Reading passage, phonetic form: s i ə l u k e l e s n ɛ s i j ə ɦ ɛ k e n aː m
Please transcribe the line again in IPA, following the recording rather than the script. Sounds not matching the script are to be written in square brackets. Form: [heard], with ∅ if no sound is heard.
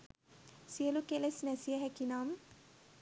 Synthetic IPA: s i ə l u k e l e s n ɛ s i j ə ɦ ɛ k [i] n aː m

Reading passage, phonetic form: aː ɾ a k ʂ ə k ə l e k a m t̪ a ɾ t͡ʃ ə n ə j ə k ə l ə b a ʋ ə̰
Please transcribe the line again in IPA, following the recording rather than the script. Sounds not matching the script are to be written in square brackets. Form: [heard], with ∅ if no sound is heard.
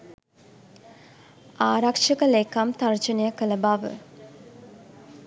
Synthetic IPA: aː ɾ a k ʂ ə k ə l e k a m t̪ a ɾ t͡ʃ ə n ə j ə k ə l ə b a ʋ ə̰

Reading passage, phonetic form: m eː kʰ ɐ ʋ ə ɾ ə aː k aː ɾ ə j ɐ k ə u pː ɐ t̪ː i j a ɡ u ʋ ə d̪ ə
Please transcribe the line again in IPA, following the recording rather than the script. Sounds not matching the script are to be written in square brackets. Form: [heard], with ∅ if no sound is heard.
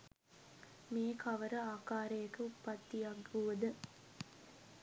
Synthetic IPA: m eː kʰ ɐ ʋ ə ɾ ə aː k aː ɾ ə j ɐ k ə u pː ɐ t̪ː i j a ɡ u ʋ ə d̪ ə

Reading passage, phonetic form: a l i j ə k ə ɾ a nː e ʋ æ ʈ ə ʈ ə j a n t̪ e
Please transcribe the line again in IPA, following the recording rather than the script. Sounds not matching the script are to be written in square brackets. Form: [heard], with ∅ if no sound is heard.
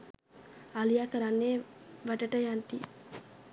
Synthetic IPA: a l i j [a] k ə ɾ a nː e ʋ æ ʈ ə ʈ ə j a n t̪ [i]

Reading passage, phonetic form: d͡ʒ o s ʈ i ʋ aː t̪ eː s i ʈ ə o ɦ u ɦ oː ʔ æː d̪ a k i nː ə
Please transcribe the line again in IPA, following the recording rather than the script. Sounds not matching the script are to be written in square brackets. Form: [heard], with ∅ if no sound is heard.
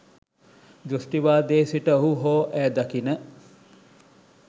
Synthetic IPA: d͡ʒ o s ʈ i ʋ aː [d̪] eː s i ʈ ə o ɦ u ɦ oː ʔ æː d̪ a k i [n] ə

